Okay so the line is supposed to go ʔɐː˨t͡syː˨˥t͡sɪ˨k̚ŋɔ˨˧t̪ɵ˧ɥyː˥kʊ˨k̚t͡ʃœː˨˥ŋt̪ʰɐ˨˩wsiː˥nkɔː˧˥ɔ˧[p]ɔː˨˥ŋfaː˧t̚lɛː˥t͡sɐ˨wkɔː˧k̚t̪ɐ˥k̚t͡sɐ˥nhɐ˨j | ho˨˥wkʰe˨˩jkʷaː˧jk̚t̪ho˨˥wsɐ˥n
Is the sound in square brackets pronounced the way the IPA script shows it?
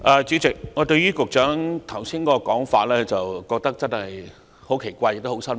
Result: no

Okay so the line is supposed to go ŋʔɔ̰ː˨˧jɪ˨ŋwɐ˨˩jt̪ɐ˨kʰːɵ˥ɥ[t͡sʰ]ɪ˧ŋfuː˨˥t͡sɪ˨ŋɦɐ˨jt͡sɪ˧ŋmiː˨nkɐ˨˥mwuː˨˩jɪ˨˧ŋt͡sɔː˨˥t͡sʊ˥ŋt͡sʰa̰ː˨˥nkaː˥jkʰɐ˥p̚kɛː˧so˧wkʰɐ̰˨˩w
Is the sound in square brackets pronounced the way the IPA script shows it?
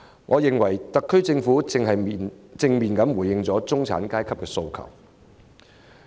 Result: no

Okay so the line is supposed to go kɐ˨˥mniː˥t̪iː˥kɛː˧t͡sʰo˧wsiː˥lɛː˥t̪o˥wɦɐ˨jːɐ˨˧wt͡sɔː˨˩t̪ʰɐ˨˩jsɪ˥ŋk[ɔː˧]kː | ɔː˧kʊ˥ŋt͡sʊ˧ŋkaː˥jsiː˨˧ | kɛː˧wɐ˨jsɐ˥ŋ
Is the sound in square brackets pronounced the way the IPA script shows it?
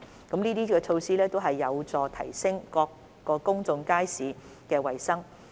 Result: yes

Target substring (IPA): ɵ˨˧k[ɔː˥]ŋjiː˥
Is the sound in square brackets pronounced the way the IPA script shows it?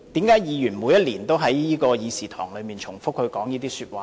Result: no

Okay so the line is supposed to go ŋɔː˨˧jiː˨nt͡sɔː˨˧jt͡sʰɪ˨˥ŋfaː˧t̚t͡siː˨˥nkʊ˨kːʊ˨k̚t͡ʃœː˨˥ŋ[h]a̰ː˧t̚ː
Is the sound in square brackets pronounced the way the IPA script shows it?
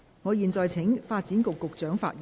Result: no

